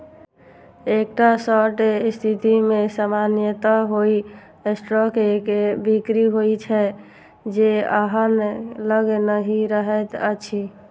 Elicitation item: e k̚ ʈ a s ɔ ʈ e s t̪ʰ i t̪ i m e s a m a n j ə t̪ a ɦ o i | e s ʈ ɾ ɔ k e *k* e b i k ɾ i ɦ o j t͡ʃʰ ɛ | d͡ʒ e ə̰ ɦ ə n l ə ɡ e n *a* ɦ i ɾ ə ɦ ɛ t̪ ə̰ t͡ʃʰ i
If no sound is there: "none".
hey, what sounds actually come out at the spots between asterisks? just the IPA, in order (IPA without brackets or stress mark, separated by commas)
k, ə